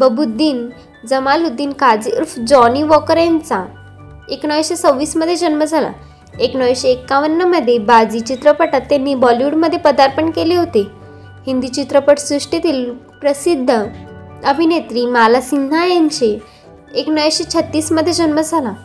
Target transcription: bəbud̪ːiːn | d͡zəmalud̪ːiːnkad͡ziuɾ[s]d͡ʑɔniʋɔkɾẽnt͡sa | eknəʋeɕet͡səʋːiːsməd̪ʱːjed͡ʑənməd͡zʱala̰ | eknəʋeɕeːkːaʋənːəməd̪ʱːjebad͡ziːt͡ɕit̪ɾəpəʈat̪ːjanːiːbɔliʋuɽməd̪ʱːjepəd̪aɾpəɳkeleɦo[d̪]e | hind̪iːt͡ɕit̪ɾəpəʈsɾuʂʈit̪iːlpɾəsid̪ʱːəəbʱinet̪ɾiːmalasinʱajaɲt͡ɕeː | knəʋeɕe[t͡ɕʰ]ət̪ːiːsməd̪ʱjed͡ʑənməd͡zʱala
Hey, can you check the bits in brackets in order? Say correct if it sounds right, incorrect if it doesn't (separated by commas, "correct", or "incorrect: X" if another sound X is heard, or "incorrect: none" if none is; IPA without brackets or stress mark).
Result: incorrect: f, incorrect: t̪, correct